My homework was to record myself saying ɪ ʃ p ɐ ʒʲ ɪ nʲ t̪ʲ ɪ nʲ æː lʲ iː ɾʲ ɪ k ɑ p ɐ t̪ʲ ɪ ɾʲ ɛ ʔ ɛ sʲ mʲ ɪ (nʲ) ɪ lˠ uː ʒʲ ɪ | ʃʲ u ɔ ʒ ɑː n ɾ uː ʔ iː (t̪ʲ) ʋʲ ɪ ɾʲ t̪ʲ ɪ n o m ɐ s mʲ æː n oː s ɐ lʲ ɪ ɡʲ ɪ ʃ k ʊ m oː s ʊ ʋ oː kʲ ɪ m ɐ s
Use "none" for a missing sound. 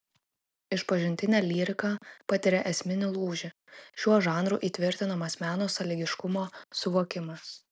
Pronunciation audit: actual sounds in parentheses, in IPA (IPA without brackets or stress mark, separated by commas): nʲ, t̪ʲ